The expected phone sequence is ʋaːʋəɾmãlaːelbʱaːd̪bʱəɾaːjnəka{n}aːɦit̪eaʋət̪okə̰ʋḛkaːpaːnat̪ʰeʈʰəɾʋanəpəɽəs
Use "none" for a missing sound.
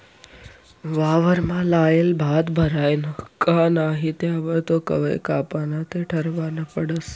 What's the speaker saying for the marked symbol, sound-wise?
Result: n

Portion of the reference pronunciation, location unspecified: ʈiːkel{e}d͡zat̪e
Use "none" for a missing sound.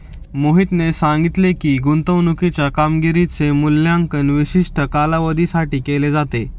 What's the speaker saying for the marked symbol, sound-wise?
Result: e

